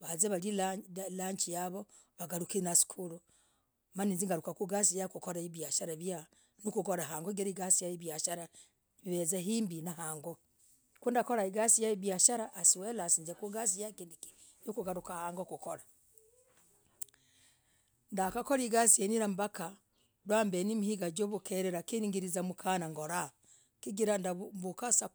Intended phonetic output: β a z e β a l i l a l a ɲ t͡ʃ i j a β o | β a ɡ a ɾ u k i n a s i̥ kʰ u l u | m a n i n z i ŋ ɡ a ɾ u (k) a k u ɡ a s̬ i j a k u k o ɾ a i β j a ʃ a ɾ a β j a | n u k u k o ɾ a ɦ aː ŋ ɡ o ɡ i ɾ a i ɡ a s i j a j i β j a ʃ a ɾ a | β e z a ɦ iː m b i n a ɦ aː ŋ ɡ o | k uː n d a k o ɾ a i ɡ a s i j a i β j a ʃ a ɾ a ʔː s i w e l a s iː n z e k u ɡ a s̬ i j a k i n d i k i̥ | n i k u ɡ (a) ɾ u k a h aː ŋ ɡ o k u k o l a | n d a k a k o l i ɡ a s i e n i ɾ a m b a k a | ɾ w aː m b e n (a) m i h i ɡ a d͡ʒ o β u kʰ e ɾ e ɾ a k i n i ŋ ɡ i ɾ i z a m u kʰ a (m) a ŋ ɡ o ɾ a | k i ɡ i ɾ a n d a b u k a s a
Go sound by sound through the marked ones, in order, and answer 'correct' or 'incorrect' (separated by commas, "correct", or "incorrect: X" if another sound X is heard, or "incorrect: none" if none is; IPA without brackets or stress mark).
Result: correct, correct, incorrect: i, incorrect: n